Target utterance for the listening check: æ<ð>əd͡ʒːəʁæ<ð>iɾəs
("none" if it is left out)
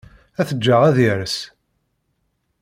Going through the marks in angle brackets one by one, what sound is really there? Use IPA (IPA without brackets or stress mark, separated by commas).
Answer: θ, ð